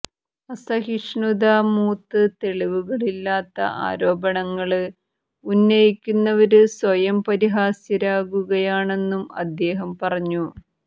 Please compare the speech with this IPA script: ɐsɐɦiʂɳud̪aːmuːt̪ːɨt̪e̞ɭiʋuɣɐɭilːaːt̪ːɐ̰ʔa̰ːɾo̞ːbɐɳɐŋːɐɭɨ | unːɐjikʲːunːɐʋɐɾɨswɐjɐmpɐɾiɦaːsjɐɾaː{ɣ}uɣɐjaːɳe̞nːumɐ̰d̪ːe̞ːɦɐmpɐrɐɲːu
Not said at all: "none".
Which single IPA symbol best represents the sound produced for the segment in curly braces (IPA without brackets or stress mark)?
ɣ